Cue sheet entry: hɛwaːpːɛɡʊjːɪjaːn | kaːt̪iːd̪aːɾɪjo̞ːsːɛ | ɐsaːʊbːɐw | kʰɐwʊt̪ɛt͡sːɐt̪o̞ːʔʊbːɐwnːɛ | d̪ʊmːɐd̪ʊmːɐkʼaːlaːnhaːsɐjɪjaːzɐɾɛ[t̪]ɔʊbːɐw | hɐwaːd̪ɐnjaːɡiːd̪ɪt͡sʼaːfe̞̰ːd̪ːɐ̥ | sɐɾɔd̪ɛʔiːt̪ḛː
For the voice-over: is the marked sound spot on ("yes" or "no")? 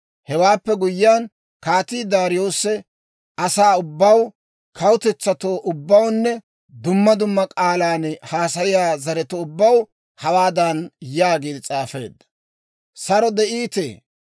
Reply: yes